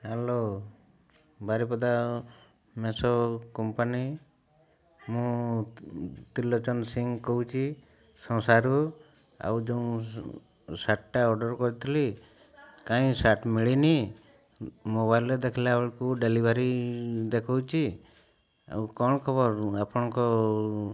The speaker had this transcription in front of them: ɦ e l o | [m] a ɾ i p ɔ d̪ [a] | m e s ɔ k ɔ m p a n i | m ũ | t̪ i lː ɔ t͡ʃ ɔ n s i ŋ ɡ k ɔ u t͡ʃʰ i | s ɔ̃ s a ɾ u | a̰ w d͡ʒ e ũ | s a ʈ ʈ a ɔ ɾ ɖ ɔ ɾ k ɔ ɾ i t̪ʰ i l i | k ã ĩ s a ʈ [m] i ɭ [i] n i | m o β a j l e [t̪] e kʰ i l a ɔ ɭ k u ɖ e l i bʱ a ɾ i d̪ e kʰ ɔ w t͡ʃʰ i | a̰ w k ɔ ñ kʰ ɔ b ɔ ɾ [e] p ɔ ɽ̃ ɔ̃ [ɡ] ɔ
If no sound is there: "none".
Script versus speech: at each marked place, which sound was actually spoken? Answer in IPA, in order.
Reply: b, a, m, i, d̪, a, k

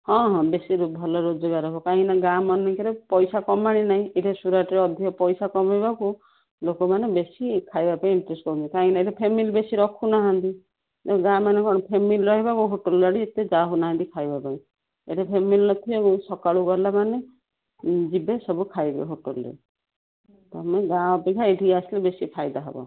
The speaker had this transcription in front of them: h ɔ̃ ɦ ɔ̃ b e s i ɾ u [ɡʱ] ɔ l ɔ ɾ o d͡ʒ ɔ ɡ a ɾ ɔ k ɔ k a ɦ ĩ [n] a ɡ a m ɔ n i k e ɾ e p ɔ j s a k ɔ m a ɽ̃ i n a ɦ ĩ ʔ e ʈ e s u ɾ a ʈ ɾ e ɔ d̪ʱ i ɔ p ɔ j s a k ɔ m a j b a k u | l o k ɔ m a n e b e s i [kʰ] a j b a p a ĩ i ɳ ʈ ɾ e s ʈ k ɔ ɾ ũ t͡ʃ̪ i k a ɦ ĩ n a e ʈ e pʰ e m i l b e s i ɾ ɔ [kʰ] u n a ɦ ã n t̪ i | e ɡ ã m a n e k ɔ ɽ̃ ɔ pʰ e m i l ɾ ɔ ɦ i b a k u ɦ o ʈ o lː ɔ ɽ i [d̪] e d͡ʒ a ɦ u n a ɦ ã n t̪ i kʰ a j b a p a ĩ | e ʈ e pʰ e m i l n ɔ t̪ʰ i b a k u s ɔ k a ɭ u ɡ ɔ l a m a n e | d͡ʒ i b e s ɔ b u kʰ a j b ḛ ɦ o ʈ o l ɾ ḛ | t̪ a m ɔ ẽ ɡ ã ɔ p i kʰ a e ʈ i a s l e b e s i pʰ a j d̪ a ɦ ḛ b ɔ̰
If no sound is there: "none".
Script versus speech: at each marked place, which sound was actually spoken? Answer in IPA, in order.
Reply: bʱ, n, kʰ, kʰ, t̪

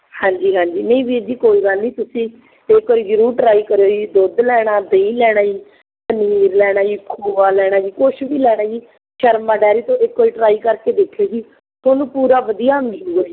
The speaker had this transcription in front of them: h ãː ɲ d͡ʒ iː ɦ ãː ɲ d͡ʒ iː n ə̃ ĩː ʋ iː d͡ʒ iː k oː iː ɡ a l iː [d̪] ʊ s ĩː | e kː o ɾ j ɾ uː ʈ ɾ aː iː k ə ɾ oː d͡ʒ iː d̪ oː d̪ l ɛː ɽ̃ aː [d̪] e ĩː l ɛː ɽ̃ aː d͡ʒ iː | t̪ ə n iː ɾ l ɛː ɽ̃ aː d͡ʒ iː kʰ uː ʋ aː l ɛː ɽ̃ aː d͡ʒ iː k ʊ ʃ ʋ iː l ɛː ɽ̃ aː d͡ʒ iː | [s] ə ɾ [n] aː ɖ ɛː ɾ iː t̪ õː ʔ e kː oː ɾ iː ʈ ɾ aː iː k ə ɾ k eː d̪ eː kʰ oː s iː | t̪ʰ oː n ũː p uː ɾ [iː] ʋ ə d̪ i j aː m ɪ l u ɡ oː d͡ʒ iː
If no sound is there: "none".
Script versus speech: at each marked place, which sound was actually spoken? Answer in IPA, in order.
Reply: t̪, d̪, ʃ, m, aː

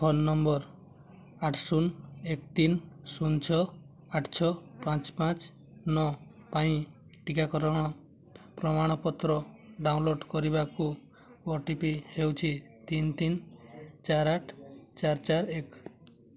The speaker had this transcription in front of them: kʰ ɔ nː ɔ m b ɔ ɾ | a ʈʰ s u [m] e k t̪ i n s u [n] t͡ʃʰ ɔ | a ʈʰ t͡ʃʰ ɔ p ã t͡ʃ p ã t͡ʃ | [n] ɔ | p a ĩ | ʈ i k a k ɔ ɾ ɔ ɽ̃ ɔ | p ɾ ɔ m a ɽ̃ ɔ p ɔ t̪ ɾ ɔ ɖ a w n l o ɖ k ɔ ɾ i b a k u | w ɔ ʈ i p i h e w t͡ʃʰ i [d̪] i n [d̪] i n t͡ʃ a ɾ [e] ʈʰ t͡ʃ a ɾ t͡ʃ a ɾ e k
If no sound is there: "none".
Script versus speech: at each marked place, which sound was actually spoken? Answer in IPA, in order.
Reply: n, n, n, t̪, t̪, a

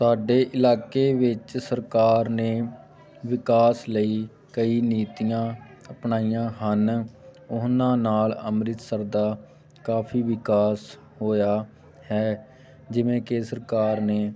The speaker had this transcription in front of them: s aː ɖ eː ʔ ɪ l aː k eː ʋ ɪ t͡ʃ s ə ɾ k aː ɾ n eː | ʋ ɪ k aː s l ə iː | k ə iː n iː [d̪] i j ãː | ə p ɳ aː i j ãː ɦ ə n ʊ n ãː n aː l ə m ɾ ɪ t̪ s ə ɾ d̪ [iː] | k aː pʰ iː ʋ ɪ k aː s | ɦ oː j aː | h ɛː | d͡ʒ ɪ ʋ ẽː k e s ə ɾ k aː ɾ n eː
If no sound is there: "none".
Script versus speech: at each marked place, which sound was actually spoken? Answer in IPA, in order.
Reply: t̪, aː

